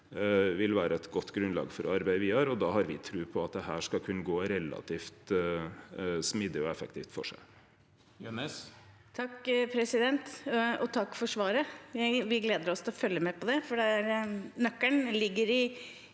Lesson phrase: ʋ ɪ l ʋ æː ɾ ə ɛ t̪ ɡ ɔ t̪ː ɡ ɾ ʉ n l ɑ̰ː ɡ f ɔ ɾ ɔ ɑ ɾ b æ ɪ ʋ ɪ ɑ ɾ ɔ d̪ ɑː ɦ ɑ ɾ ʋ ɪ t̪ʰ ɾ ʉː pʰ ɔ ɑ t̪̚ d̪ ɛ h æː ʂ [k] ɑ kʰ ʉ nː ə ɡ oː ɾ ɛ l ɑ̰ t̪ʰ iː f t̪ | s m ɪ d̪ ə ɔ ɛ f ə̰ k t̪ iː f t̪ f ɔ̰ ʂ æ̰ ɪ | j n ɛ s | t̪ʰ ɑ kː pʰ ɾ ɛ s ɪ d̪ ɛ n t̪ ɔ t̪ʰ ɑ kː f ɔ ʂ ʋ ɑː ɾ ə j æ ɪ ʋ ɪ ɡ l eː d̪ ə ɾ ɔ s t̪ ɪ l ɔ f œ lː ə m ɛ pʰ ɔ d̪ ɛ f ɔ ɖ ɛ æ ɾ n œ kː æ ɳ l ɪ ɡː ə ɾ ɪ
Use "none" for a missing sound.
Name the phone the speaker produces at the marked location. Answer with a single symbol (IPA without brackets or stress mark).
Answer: k